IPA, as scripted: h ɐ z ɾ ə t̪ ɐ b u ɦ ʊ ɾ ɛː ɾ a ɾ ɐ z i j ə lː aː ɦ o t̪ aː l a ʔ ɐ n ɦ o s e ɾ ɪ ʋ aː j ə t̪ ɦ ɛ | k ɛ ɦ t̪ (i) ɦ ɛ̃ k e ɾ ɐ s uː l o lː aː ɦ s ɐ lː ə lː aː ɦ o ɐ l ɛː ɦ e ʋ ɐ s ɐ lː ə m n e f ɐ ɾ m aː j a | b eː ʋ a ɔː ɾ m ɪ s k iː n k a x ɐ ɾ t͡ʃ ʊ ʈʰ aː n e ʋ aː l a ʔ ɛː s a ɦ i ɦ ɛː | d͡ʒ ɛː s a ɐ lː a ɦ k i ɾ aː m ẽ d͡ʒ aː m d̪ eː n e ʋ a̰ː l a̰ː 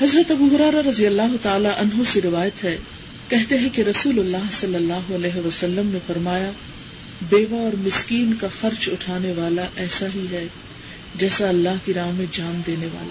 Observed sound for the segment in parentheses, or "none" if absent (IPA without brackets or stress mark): e